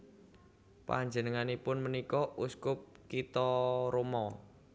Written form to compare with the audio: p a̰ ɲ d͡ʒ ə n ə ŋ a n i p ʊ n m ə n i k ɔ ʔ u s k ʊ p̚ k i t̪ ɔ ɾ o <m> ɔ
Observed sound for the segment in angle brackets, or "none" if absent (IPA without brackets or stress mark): m